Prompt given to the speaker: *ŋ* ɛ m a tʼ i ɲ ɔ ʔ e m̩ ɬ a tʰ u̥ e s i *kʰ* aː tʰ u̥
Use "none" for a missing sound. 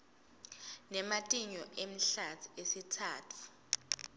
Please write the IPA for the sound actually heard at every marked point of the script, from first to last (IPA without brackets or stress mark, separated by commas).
n, tʰ